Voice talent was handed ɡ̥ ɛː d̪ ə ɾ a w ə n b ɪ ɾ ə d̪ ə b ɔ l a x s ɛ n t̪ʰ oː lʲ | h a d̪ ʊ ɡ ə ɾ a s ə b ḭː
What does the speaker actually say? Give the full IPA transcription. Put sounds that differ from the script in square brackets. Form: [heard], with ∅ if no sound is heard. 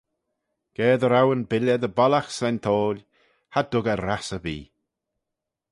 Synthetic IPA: ɡ̥ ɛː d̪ ə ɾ a w ə n b ɪ [l] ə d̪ ə b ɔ l a x s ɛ n t̪ʰ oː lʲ | h a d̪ ʊ ɡ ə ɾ a s ə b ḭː